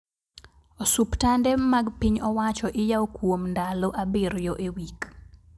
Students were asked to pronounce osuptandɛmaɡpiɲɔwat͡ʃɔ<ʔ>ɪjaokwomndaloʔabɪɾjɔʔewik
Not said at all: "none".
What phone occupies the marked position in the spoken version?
ʔ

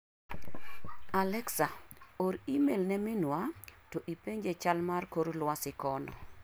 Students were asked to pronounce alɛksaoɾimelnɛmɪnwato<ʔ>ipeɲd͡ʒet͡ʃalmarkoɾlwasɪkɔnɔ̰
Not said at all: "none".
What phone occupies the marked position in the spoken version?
ʔ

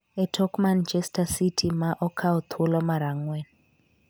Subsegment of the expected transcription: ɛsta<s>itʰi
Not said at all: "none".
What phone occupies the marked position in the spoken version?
s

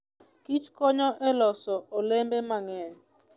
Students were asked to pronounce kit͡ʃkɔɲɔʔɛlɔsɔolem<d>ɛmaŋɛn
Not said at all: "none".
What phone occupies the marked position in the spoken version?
b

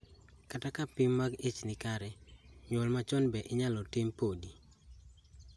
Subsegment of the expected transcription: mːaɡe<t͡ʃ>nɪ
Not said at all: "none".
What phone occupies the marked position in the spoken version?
t͡ʃ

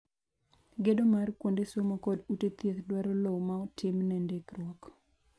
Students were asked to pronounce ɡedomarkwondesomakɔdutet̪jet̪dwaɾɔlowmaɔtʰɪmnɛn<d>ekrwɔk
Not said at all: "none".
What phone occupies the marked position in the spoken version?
d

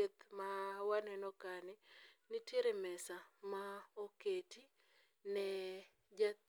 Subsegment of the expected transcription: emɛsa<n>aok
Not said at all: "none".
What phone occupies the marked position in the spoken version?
m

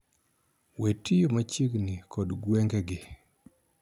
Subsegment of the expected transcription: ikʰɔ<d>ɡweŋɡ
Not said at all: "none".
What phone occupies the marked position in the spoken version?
d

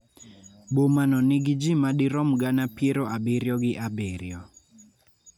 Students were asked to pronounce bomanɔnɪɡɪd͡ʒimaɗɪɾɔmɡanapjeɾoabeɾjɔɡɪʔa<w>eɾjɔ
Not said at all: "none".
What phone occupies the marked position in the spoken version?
b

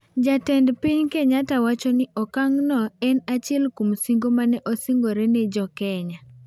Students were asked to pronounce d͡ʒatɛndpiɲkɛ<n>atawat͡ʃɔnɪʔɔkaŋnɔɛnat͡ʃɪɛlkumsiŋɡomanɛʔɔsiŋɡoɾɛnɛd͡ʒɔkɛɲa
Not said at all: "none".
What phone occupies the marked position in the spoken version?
ɲ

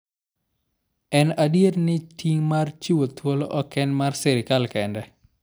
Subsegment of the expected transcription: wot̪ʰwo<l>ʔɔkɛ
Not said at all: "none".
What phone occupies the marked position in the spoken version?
l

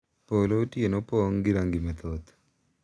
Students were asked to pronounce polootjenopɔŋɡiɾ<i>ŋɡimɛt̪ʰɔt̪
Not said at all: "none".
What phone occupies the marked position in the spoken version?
a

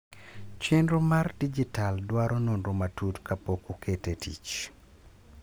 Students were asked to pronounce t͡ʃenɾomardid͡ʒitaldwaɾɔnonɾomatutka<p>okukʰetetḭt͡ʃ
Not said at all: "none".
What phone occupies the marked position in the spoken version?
p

